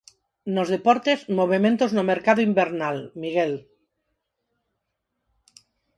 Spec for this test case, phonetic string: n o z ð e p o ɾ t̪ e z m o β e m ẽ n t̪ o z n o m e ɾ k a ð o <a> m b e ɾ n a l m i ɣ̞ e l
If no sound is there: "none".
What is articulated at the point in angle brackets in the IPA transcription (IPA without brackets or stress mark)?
i